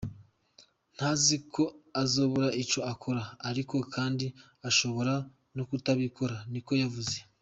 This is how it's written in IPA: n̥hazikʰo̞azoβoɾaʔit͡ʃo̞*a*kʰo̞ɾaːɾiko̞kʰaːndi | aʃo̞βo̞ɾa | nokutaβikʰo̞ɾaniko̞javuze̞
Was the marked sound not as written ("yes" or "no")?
no